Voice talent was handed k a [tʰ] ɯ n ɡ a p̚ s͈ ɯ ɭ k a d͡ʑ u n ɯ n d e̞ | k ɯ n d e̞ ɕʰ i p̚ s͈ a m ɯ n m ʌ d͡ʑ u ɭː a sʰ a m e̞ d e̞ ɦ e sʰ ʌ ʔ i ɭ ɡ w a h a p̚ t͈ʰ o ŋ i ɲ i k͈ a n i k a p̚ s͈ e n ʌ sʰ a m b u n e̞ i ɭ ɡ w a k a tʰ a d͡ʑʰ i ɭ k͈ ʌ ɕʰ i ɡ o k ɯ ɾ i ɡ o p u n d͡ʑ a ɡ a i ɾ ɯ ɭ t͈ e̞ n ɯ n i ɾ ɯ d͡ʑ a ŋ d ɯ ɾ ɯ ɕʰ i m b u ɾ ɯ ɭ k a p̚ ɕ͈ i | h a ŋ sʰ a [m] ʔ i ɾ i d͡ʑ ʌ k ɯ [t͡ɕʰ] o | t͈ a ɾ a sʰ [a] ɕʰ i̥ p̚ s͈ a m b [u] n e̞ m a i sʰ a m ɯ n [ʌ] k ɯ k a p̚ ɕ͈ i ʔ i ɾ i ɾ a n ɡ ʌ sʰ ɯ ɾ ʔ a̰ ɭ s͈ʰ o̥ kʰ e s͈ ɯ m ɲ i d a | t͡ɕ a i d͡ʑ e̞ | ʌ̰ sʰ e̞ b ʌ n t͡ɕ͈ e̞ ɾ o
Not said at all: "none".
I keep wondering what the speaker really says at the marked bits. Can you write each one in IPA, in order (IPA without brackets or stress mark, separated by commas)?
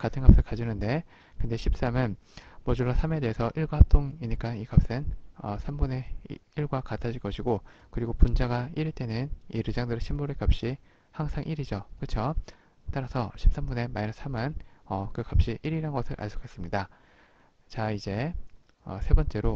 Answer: tʰ, ŋ, t͡ɕʰ, ʌ, u, ʌ